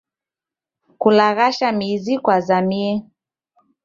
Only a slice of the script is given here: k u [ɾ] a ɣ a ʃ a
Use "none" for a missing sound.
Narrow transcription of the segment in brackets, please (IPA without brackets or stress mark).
l